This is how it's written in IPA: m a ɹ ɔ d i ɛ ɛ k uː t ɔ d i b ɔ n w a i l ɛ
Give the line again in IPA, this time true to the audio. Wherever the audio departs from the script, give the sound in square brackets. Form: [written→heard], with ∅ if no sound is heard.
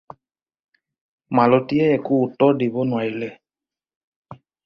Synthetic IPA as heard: m a [ɹ→l] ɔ [d→t] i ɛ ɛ k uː t ɔ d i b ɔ n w a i l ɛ